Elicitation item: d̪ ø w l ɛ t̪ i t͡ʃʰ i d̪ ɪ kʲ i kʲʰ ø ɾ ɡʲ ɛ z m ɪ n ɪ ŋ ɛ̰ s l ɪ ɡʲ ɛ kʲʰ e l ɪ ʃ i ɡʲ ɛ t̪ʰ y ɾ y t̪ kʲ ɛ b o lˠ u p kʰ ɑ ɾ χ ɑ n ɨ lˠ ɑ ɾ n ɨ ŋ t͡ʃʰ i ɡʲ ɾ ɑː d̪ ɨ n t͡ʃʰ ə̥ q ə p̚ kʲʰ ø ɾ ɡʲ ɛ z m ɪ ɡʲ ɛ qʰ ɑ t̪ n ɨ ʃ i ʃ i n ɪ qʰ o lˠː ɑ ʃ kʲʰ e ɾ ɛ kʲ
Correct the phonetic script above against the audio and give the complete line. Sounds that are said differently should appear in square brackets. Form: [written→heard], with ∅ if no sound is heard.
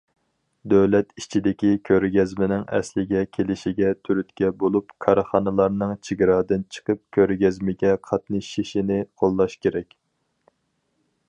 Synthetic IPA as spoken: d̪ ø w l ɛ t̪ i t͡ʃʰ i d̪ ɪ kʲ i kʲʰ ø ɾ ɡʲ ɛ z m ɪ n ɪ ŋ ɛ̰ s l ɪ ɡʲ ɛ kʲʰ e l ɪ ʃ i ɡʲ ɛ t̪ʰ y ɾ y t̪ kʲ ɛ b o lˠ u p kʰ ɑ ɾ χ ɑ n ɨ lˠ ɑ ɾ n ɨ ŋ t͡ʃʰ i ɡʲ ɾ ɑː d̪ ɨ n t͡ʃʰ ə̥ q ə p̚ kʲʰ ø ɾ ɡʲ ɛ z m ɪ ɡʲ ɛ qʰ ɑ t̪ n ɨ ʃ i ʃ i n ɪ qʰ o lˠː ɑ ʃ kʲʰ e ɾ ɛ kʲ